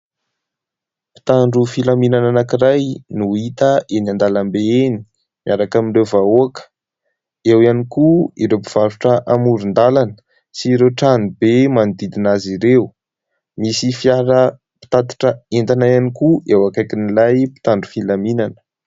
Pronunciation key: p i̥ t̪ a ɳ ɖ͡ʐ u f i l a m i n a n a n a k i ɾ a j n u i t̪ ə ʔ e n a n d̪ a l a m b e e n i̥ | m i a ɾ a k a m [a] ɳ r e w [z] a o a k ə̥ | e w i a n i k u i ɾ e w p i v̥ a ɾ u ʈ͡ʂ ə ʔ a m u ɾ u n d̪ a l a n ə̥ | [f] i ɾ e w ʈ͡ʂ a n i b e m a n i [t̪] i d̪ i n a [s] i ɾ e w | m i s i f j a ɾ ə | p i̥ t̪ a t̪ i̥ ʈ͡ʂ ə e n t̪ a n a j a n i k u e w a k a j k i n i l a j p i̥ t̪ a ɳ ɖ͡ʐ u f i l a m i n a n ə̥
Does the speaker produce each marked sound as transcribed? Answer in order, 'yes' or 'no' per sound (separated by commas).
no, no, no, no, no